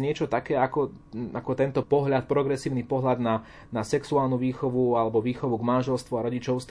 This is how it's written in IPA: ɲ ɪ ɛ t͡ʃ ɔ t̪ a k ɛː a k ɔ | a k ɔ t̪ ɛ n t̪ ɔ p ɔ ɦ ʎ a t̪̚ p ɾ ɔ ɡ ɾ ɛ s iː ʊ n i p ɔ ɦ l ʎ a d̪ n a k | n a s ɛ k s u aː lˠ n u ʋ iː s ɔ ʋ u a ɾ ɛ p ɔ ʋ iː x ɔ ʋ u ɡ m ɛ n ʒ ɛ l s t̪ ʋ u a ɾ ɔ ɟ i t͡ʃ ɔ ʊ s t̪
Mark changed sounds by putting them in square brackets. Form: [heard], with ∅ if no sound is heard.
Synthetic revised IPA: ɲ ɪ ɛ t͡ʃ ɔ t̪ a k ɛː a k ɔ | a k ɔ t̪ ɛ n t̪ ɔ p ɔ ɦ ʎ a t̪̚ p ɾ ɔ ɡ ɾ ɛ s iː ʊ n i p ɔ ɦ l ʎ a d̪ n a [∅] | n a s ɛ k s u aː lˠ n u ʋ iː [x] ɔ ʋ u a [l] ɛ [b] ɔ ʋ iː x ɔ ʋ u ɡ m [a] n ʒ ɛ l s t̪ ʋ u a ɾ ɔ ɟ i t͡ʃ ɔ ʊ s t̪